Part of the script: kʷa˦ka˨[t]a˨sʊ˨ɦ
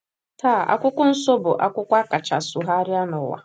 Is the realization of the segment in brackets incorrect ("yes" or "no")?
yes